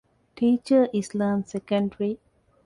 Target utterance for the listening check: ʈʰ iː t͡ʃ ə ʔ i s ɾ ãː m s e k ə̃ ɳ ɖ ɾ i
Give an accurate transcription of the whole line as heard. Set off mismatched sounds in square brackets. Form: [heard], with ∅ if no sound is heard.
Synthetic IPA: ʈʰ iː t͡ʃ ə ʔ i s [l] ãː m s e k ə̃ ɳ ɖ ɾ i